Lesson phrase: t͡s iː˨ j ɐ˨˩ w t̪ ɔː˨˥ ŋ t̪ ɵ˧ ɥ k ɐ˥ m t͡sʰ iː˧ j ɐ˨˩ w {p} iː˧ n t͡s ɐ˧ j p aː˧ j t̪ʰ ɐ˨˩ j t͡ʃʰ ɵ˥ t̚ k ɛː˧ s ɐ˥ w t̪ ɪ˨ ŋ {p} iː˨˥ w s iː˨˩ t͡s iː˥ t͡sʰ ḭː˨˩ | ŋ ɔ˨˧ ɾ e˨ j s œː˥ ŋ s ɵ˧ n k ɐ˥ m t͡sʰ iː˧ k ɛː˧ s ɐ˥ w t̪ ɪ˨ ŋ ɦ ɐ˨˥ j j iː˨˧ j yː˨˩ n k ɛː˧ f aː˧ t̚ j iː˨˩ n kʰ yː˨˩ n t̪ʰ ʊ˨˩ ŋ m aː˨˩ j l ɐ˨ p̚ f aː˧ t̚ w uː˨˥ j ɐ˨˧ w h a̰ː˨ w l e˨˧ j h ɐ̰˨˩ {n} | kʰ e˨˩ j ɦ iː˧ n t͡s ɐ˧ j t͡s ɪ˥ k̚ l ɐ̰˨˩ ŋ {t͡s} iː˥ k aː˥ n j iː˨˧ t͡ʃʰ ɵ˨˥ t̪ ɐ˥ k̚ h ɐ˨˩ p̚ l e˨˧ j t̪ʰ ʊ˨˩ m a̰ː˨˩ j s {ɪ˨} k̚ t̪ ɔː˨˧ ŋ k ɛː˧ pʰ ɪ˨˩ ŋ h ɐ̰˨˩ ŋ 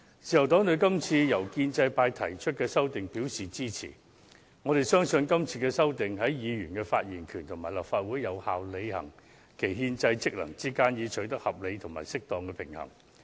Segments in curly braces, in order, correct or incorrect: incorrect: k, correct, incorrect: ŋ, correct, incorrect: ɪ˥

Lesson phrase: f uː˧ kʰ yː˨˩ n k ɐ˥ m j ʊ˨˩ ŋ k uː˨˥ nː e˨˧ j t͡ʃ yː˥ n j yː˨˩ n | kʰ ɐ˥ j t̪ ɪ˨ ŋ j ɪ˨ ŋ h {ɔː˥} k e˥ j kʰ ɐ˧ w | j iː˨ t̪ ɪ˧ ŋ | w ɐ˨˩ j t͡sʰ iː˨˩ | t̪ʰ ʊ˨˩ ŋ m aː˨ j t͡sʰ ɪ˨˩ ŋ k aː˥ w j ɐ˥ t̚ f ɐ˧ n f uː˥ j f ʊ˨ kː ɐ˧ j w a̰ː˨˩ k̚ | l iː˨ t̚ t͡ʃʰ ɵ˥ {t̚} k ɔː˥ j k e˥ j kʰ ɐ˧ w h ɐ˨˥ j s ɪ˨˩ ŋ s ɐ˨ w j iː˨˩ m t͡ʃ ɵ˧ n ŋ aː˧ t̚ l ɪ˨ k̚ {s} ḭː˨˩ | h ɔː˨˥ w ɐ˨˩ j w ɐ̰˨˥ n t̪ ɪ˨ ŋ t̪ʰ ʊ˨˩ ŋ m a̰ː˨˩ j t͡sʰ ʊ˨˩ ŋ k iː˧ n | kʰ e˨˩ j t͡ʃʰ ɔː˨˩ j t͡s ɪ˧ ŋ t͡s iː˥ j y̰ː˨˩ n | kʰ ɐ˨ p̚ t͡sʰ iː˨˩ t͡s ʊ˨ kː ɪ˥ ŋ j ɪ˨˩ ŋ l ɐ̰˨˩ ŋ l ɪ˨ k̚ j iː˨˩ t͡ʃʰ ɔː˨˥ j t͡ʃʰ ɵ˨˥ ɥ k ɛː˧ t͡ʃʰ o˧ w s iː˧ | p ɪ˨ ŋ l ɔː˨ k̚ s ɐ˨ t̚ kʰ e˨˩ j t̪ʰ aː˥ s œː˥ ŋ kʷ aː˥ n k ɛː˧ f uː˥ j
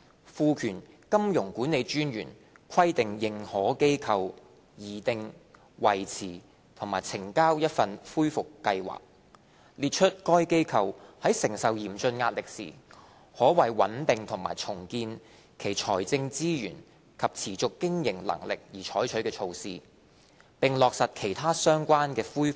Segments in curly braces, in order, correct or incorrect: incorrect: ɔː˨˥, correct, correct

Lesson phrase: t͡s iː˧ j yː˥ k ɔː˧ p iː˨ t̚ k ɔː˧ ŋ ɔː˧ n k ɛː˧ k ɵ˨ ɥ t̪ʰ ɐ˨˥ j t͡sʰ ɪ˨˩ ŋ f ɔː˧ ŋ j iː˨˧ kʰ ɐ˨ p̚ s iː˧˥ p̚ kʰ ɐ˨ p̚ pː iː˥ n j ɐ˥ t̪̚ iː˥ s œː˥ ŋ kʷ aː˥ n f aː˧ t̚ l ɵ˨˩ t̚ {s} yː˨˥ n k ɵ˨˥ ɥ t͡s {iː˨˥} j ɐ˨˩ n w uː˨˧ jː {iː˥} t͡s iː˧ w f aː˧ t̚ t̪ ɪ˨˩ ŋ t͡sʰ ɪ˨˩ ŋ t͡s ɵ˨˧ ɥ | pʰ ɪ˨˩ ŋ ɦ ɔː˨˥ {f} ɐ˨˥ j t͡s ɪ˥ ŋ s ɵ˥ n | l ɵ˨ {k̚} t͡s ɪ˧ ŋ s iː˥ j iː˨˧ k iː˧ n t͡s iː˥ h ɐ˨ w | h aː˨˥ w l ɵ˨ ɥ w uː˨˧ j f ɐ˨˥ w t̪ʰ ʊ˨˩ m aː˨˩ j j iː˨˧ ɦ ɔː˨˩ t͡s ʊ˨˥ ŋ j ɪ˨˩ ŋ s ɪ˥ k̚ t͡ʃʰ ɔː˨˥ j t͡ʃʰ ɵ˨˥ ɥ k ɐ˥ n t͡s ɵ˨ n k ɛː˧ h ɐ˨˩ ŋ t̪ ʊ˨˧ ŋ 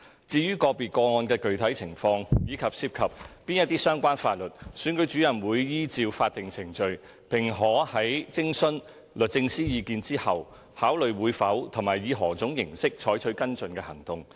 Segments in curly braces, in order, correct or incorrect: correct, incorrect: yː˨˥, correct, incorrect: h, incorrect: t̚

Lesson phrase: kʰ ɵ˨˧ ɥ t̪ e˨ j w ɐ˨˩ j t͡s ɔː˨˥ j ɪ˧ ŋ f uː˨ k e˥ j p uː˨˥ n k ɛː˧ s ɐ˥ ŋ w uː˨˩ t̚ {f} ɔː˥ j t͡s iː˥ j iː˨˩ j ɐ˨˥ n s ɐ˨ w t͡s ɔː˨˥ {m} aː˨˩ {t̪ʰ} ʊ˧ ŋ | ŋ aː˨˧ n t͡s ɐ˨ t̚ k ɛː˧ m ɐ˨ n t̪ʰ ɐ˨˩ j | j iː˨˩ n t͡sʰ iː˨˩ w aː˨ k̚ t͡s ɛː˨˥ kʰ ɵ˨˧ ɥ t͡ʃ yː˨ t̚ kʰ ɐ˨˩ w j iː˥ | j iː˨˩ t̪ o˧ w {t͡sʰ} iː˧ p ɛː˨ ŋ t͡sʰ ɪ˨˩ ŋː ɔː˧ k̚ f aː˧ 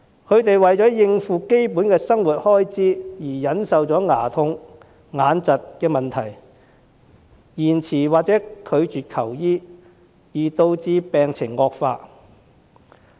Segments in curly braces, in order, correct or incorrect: incorrect: h, incorrect: ŋ, correct, incorrect: t͡s

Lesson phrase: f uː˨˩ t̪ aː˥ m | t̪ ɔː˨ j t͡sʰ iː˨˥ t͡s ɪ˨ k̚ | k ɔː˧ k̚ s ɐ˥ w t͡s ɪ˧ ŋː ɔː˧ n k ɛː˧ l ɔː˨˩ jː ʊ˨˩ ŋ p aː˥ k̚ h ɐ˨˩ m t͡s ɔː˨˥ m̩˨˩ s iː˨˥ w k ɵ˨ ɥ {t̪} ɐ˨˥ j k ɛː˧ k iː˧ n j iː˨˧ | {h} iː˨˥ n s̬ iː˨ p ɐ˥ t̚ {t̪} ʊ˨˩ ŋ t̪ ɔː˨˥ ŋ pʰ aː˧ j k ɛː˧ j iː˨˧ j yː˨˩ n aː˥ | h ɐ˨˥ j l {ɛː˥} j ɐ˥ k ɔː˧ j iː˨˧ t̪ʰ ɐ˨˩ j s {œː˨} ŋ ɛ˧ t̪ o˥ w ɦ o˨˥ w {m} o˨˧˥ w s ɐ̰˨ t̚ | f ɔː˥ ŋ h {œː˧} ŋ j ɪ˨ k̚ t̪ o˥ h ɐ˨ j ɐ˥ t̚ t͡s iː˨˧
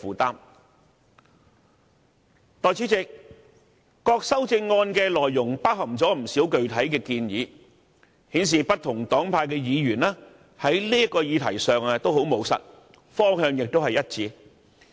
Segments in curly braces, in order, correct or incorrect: incorrect: t̪ʰ, correct, incorrect: t̪ʰ, incorrect: iː˥, correct, correct, correct

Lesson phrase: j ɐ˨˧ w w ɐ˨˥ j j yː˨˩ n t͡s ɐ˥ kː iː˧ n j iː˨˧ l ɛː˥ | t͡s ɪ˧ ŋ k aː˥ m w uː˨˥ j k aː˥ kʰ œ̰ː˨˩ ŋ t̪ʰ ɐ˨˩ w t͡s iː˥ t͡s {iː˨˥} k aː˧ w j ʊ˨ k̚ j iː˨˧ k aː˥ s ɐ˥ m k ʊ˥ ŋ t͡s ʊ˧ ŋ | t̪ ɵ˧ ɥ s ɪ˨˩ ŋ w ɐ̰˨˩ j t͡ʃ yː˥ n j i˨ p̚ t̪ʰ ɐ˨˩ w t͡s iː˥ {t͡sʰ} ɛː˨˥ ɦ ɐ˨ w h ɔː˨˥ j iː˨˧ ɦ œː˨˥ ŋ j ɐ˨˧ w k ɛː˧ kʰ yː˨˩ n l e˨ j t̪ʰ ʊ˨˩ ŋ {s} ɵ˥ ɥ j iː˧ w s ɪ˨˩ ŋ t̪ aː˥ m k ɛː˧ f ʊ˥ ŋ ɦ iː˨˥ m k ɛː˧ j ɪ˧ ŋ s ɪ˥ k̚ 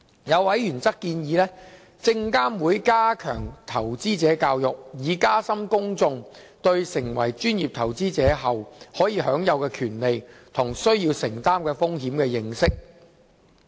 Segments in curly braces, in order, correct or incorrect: incorrect: ɛː˨˥, incorrect: t͡s, correct

